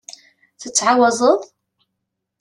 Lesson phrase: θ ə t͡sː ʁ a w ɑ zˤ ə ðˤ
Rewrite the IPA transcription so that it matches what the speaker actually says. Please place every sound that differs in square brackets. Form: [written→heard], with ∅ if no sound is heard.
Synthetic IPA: θ ə t͡sː [ʁ→ʕ] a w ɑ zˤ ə ðˤ